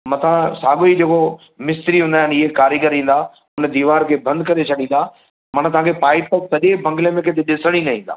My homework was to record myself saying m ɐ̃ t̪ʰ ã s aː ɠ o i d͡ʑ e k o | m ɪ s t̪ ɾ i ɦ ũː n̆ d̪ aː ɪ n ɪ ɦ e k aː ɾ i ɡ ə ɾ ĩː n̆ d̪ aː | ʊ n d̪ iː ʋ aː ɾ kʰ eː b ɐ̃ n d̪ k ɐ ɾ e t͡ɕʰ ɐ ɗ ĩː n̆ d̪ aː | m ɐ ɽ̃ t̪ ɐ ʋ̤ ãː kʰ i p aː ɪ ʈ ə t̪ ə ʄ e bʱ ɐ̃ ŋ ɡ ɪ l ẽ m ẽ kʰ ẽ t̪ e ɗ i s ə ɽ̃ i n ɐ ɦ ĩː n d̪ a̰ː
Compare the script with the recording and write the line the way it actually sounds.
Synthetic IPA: m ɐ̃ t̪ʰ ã s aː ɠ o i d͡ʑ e k o | m ɪ s t̪ ɾ i ɦ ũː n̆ d̪ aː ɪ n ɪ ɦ e k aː ɾ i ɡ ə ɾ ĩː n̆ d̪ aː | ʊ n d̪ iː ʋ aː ɾ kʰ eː b ɐ̃ n d̪ k ɐ ɾ e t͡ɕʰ ɐ ɗ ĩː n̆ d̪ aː | m ɐ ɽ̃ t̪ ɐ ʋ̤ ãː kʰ e p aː ɪ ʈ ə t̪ ɐ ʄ e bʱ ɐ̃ ŋ ɡ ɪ l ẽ m ẽ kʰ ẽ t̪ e ɗ ɪ s ə ɽ̃ i n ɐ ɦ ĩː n d̪ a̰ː